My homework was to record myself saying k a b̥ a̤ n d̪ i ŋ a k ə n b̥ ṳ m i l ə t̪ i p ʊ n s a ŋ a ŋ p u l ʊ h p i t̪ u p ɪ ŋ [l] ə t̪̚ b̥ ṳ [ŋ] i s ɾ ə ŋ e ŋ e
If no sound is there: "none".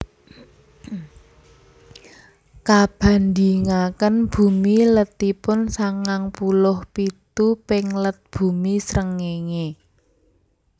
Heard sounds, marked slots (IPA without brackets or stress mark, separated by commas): l, m